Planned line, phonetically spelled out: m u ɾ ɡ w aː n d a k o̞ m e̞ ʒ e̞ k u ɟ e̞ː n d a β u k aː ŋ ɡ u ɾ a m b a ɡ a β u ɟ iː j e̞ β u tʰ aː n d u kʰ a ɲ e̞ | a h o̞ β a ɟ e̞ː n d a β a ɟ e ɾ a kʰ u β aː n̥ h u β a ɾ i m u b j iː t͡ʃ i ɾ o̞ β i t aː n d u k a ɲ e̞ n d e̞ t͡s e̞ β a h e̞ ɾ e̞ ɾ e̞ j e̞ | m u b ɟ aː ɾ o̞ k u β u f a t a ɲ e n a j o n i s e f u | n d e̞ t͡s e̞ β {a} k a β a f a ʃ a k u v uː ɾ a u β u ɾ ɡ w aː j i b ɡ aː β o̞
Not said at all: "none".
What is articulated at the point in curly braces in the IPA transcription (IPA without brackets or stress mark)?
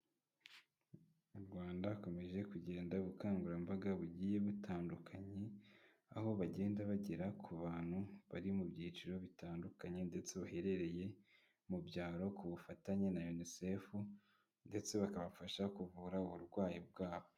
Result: a